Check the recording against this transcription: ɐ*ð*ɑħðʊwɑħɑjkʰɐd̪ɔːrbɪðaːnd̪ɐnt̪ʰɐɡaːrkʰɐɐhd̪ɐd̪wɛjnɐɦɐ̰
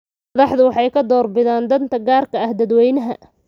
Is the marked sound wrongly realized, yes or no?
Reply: no